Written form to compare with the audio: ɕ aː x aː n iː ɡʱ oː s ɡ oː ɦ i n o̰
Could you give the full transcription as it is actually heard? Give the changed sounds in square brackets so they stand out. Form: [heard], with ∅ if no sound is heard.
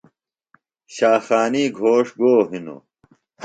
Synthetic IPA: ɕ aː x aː n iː ɡʱ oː [ʂ] ɡ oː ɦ i n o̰